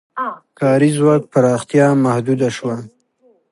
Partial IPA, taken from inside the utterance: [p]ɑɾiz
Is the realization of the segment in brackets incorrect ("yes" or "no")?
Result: yes